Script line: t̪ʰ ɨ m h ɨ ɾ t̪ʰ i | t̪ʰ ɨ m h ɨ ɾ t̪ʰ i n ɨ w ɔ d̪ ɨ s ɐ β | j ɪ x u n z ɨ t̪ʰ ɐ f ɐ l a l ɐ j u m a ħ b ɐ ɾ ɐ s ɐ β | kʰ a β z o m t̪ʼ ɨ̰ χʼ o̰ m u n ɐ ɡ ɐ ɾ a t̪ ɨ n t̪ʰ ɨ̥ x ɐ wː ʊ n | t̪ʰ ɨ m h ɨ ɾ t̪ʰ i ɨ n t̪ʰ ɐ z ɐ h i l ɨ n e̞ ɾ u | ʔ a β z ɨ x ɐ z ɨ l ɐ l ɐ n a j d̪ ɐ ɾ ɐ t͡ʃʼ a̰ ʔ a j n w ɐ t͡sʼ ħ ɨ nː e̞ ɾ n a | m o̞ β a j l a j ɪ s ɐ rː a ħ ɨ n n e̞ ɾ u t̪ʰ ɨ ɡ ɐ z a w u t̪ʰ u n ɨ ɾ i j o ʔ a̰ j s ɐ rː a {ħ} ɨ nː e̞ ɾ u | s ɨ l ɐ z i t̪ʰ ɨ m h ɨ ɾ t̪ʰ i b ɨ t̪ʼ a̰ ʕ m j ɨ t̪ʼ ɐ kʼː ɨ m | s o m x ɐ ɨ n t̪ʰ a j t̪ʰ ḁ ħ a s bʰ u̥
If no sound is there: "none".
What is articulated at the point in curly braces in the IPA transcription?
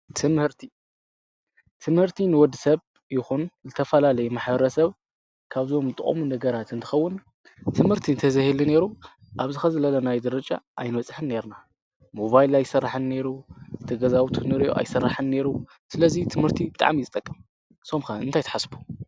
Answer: ħ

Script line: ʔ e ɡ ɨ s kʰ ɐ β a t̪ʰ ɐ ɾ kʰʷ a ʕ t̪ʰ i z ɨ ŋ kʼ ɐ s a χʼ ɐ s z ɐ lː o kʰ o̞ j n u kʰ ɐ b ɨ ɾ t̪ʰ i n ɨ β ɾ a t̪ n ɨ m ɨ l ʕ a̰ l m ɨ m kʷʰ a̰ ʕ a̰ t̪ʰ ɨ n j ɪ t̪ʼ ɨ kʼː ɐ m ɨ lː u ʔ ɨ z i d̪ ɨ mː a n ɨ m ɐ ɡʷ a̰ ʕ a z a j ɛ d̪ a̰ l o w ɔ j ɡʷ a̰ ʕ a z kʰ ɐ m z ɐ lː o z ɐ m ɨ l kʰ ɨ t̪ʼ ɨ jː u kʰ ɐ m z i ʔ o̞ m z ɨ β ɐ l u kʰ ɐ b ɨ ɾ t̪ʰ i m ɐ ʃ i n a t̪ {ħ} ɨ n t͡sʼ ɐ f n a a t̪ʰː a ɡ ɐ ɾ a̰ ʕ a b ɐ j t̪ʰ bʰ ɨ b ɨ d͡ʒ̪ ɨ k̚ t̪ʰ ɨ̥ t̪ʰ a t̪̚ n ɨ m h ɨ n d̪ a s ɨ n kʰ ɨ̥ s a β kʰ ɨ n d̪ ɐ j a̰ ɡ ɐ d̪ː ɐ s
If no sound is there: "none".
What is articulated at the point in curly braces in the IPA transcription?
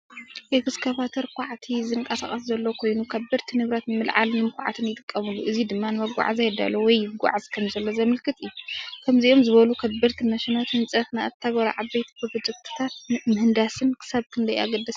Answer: h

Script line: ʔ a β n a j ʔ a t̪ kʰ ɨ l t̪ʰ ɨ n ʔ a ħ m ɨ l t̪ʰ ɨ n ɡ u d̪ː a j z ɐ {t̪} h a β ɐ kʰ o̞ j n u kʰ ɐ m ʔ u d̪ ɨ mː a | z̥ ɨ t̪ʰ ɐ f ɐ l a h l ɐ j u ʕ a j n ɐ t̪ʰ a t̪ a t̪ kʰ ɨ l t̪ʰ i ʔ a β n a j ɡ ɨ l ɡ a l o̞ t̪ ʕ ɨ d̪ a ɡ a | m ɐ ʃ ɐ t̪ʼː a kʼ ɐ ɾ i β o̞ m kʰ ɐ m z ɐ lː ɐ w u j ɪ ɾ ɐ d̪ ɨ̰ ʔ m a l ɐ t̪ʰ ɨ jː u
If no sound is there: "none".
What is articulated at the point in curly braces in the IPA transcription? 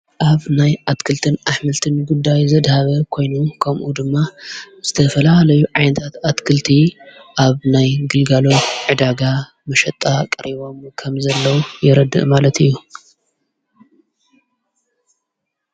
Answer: d̪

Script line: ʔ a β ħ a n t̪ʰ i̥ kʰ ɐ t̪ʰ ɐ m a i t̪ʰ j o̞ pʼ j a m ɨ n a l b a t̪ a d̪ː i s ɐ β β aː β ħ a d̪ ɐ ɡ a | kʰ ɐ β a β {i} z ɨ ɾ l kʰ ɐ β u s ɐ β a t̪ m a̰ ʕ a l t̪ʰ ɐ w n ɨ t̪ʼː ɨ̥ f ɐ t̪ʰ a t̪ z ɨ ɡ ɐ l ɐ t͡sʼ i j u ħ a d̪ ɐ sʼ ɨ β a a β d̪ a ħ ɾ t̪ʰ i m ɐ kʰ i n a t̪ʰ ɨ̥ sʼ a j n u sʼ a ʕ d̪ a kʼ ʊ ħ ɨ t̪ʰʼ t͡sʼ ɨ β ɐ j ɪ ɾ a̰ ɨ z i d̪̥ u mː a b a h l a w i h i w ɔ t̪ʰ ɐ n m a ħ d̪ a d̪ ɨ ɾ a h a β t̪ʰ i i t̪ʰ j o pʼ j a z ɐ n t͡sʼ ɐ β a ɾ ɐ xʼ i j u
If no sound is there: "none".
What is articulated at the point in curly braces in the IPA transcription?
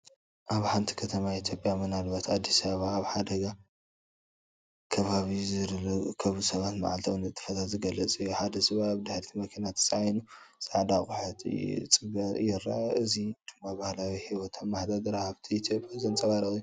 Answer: i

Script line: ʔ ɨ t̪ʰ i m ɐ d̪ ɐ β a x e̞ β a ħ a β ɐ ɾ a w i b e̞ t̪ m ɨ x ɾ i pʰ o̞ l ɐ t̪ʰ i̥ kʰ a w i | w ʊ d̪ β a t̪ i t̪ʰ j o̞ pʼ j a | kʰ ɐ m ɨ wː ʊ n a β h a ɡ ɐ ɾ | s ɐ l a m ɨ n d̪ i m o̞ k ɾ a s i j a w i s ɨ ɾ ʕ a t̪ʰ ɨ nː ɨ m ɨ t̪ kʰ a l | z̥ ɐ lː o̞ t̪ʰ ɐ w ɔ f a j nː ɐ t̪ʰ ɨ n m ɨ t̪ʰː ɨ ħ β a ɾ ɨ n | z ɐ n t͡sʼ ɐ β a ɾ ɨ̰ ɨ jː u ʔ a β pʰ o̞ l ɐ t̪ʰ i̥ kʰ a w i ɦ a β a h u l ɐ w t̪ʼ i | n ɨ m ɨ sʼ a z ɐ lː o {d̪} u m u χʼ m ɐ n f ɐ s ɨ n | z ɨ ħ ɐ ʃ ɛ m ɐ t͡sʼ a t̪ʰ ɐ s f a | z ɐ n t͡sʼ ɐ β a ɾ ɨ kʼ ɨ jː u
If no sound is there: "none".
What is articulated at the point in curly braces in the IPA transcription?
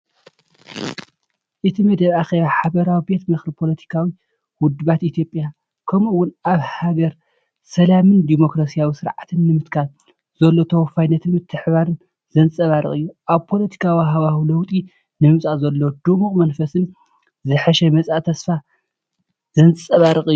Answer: d̪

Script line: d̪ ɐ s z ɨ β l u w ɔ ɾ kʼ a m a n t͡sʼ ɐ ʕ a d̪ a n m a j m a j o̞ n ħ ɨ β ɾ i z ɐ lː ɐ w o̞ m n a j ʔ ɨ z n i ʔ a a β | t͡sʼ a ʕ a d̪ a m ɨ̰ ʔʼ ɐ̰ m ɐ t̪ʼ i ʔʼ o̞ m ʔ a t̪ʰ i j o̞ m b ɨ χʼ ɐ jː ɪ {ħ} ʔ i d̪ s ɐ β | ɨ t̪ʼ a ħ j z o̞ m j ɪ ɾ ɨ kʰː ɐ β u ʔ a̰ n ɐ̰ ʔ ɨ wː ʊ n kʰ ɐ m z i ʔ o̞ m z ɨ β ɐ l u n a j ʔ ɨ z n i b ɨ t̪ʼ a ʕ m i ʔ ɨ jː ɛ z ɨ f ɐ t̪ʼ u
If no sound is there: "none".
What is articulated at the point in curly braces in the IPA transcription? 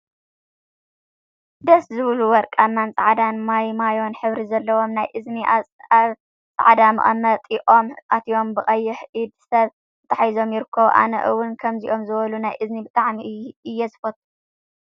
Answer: ħ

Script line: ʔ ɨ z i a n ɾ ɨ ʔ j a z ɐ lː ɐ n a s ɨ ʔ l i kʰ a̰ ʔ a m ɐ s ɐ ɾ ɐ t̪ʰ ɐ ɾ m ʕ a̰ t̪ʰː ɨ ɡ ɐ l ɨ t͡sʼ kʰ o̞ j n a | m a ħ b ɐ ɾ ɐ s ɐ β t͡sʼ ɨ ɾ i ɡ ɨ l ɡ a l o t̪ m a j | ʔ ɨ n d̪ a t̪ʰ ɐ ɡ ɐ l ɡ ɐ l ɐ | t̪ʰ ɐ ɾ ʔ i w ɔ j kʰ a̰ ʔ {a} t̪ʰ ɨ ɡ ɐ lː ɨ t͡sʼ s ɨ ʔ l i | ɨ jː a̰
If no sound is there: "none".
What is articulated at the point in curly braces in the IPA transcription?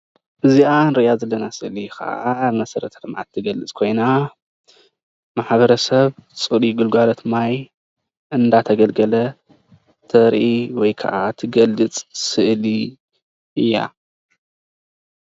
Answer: a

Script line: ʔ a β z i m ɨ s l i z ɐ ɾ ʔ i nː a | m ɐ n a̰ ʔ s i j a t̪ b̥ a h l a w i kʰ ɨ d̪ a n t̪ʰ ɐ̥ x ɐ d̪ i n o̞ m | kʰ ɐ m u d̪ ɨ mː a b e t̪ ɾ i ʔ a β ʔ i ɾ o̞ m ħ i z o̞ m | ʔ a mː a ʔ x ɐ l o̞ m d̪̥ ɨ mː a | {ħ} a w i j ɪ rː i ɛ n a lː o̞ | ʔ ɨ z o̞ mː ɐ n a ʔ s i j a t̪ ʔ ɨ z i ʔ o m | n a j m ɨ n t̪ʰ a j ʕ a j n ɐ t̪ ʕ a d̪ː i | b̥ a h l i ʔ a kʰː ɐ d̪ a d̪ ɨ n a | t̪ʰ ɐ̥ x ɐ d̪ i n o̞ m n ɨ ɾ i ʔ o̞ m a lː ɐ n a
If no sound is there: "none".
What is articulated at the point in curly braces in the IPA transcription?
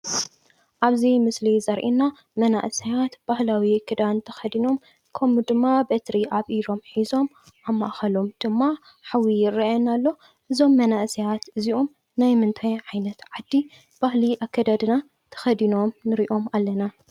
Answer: ħ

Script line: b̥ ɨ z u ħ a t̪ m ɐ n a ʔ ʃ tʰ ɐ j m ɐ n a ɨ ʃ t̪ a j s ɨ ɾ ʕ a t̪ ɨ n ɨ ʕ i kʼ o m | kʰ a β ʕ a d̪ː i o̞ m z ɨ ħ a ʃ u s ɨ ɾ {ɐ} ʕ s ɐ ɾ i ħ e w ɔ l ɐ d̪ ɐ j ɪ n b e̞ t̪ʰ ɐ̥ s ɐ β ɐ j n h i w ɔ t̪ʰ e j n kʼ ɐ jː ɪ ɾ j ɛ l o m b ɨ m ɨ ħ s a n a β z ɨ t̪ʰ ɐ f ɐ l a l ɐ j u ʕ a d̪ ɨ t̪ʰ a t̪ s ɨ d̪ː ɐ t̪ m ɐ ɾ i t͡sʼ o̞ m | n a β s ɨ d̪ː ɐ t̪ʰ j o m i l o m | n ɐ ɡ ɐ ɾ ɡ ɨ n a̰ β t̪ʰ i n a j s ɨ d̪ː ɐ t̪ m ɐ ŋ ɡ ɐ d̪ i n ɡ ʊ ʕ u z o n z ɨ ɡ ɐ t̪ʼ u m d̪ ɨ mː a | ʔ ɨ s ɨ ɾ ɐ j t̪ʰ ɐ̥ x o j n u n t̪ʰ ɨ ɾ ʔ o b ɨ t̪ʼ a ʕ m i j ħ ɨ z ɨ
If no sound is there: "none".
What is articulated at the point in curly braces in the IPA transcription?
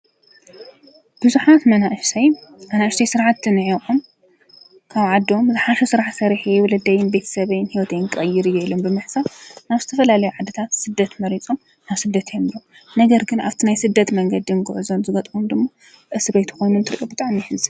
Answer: a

